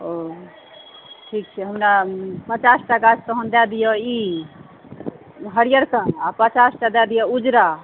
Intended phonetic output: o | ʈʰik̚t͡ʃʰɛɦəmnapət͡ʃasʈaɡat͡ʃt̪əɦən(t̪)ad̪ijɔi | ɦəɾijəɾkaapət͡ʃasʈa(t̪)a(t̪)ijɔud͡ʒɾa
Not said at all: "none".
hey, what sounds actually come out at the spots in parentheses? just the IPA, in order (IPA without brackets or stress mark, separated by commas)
d̪, d̪, d̪